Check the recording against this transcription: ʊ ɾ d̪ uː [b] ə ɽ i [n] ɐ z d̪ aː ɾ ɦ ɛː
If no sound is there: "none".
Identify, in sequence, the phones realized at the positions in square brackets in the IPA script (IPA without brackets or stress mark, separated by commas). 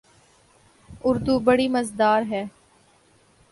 b, m